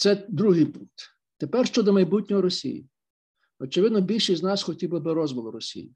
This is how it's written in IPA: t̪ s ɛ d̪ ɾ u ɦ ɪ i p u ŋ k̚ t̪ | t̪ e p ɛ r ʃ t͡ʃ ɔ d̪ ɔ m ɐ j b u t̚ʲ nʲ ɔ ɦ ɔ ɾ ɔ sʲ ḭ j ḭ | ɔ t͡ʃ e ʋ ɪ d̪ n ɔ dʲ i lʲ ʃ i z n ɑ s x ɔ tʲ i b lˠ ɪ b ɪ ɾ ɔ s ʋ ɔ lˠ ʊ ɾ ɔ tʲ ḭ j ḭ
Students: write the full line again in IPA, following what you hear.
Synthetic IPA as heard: t̪ s ɛ d̪ ɾ u ɦ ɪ j p u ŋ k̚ t̪ | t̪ e p ɛ r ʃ t͡ʃ ɔ d̪ ɔ m ɐ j b u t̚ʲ nʲ ɔ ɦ ɔ ɾ ɔ sʲ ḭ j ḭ | ɔ t͡ʃ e ʋ ɪ d̪ n ɔ bʲ i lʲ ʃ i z n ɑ s x ɔ tʲ i b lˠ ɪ b ɪ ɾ ɔ z ʋ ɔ lˠ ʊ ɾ ɔ sʲ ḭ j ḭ